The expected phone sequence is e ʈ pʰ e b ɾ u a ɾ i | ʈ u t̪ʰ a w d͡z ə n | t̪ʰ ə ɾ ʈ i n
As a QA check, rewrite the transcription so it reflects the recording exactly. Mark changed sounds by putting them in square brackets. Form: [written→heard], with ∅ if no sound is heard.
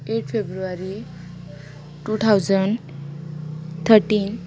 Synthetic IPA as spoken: e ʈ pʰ e b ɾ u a ɾ i | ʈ u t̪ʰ a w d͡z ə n | t̪ʰ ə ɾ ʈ i n